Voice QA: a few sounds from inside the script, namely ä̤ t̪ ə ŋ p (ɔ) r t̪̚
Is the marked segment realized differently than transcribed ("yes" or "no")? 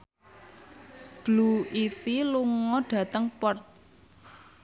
no